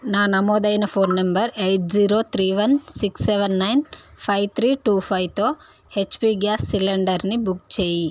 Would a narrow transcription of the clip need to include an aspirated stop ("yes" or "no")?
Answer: yes